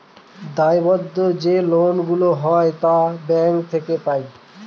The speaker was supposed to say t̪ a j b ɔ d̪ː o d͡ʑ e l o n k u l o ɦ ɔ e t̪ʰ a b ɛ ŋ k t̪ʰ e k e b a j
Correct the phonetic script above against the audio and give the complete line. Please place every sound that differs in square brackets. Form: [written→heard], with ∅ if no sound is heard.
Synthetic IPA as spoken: [t̪→d̪] a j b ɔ d̪ː o d͡ʑ e l o n [k→ɡ] u l o ɦ ɔ e [t̪ʰ→t̪] a b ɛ ŋ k t̪ʰ e k e [b→p] a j